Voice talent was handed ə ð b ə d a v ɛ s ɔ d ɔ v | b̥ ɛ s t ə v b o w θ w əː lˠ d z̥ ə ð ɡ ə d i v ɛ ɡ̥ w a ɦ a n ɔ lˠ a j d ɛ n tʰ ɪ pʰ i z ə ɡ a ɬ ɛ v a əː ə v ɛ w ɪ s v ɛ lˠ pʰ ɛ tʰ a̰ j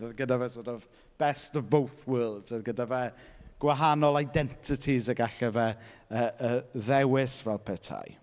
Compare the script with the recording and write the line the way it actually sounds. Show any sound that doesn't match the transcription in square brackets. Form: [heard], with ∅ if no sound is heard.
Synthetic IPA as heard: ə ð [ɡ] ə d a v ɛ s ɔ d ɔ v | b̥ ɛ s t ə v b o w θ w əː lˠ d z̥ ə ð ɡ ə d [a] v ɛ ɡ̥ w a ɦ a n ɔ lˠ a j d ɛ n tʰ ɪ [tʰ] i z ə ɡ a ɬ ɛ v [ɛ] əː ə [ð] ɛ w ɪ s v ɛ lˠ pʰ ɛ tʰ a̰ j